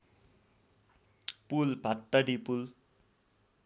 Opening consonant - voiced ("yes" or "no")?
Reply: no